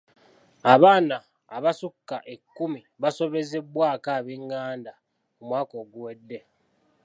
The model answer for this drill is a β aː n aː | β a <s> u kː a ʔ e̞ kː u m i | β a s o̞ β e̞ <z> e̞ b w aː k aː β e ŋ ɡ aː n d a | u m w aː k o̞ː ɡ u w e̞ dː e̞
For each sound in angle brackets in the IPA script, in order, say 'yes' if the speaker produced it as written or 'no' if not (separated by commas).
yes, yes